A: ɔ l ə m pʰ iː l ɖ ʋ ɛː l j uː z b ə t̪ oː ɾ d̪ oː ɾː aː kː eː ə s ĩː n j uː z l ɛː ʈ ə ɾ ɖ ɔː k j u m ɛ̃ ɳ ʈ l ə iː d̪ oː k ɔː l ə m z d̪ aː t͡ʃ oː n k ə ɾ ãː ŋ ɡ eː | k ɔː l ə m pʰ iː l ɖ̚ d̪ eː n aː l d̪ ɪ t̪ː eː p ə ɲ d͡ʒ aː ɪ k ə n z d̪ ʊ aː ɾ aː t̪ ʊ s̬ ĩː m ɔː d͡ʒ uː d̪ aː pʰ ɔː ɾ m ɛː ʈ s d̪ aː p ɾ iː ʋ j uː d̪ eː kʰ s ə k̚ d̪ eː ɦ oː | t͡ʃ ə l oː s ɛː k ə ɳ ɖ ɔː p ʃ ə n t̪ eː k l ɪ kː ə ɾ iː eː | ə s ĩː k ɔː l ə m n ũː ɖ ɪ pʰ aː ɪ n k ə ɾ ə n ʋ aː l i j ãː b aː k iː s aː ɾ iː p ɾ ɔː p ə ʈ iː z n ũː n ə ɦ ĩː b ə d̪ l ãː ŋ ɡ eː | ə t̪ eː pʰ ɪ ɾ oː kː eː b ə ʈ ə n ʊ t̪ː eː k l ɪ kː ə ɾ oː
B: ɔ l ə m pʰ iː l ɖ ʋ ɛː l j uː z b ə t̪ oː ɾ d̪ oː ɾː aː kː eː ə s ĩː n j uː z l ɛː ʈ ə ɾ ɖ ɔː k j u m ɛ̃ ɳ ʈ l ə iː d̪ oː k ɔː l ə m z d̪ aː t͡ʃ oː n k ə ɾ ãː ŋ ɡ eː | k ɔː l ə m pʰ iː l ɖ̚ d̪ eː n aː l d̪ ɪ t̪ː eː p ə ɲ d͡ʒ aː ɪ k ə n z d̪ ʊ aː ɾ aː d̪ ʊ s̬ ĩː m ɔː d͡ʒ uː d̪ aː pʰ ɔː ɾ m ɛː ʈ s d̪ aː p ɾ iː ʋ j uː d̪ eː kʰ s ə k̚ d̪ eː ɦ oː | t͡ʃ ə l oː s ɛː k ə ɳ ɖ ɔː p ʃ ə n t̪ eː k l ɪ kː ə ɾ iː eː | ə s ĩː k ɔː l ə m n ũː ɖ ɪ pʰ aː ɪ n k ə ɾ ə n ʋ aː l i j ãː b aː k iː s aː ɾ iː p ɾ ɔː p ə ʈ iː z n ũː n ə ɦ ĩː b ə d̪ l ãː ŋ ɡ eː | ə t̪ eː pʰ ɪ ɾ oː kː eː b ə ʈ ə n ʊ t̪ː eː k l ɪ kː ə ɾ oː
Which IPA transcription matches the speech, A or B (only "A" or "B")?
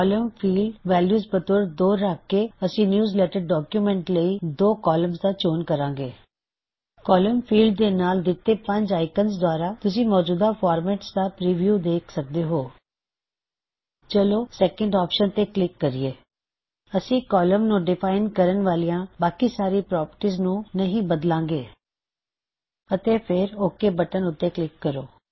A